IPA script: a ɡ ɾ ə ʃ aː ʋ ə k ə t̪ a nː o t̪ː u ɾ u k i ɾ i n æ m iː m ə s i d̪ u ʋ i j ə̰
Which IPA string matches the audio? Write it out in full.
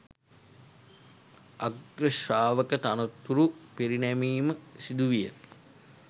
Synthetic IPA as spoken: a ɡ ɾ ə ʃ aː ʋ ə k ə t̪ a n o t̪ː u ɾ u p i ɾ i n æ m iː m ə s i d̪ u ʋ i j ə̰

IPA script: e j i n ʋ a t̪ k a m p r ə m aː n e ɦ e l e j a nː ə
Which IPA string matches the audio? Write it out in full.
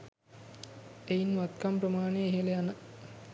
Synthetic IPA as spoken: e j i n ʋ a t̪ k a m p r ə m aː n e ɦ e l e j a n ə

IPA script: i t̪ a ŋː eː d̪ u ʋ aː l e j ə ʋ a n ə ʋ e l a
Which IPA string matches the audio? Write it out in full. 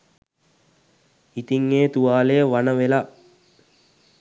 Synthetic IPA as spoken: i t̪ i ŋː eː t̪ u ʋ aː l e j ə ʋ a n ə ʋ e l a

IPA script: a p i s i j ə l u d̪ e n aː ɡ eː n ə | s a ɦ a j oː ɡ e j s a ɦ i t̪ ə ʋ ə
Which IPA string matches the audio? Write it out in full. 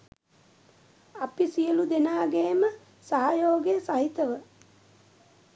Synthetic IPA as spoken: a p i s i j ə l u d̪ e n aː ɡ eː m ə | s a ɦ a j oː ɡ e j s a ɦ i t̪ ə ʋ ə

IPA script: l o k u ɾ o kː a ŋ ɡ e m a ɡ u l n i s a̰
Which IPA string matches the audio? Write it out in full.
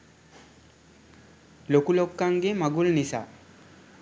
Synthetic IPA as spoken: l o k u l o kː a ŋ ɡ e m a ɡ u l n i s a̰

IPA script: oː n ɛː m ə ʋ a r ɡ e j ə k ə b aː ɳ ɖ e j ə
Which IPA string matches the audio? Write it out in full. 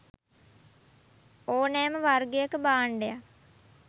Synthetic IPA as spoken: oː n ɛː m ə ʋ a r ɡ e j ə k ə b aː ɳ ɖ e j a

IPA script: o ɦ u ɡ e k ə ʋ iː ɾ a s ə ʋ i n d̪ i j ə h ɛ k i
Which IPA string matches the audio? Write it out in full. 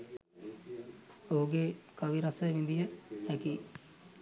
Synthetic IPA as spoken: o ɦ u ɡ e k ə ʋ i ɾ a s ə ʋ i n d̪ i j ə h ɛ k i

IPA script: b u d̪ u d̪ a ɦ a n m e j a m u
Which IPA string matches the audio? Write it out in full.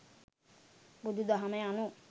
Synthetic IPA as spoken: b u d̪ u d̪ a ɦ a m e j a n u

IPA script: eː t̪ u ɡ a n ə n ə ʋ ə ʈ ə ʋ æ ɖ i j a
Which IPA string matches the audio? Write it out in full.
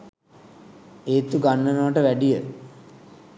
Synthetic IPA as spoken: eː t̪ u ɡ a nː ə n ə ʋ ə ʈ ə ʋ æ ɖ i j ə

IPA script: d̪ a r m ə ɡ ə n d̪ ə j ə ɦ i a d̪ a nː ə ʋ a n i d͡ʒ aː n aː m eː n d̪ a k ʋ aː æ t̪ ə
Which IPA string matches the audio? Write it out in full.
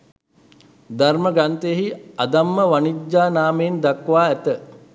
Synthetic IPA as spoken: d̪ a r m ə ɡ a n t̪ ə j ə ɦ i a d̪ a mː ə ʋ a n i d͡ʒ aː n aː m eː n d̪ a k ʋ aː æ t̪ ə

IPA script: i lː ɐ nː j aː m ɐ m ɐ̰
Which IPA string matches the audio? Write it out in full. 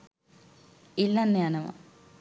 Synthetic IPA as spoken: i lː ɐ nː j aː n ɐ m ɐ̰

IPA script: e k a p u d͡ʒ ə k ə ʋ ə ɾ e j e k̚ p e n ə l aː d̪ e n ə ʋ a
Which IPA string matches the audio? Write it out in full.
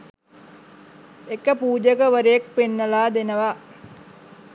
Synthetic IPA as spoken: e k ə p uː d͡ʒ ə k ə ʋ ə ɾ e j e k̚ p e nː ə l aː d̪ e n ə ʋ a

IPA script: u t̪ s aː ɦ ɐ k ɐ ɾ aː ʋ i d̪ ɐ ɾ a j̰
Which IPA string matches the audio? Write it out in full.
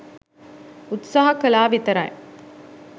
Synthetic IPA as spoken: u t̪ s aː ɦ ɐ k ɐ l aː ʋ i t̪ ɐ ɾ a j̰

